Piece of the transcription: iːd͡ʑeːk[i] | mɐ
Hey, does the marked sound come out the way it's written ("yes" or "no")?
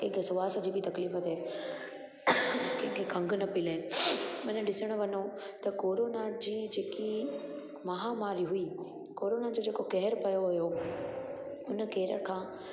yes